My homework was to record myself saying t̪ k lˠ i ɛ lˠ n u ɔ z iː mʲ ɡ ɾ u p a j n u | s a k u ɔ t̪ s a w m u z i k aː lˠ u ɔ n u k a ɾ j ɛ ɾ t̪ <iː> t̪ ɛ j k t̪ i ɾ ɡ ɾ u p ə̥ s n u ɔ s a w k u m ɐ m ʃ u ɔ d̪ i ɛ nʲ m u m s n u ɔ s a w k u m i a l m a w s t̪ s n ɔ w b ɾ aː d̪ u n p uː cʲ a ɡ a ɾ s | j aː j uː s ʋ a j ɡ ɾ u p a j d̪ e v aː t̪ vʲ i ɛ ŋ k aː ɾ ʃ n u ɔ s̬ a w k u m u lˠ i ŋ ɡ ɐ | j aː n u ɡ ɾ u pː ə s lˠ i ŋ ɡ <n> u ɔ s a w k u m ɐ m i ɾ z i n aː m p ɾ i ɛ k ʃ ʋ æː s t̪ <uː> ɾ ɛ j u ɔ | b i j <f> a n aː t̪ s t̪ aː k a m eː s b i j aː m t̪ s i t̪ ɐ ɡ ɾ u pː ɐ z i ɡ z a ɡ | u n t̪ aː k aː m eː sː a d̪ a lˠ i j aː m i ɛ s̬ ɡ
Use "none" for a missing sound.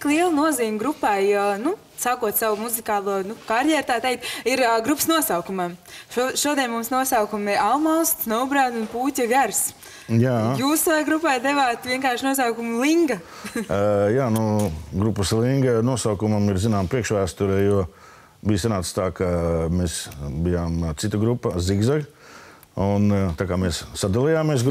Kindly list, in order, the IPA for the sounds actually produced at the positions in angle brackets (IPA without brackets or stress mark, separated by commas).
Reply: aː, n, u, s